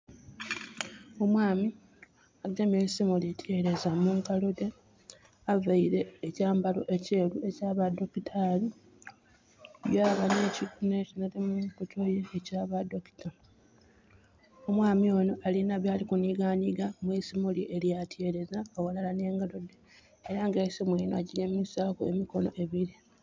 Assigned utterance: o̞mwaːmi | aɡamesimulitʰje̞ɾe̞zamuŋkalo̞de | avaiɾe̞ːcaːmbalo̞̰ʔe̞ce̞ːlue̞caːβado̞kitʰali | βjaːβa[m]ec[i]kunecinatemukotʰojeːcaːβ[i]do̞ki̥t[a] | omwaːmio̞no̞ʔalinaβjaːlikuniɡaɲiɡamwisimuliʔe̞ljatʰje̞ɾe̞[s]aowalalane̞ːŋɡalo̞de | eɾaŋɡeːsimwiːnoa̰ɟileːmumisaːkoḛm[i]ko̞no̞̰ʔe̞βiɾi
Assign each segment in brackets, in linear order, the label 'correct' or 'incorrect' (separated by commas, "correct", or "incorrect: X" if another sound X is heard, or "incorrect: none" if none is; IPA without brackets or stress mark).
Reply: incorrect: n, correct, incorrect: a, correct, incorrect: z, correct